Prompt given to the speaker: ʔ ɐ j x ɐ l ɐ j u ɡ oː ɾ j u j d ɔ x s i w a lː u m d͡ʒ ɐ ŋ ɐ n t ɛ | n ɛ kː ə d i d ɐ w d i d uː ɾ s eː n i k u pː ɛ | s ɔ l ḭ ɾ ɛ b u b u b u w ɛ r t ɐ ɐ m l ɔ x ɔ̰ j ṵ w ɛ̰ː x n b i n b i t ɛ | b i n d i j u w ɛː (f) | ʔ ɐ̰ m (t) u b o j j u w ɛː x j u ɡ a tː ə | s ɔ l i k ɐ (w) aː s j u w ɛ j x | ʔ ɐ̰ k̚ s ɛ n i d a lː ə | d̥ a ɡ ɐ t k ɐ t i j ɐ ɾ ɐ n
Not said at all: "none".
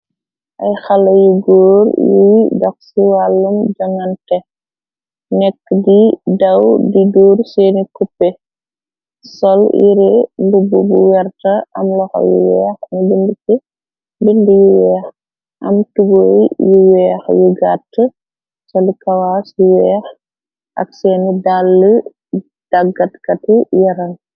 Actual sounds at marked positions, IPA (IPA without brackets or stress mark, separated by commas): x, t, w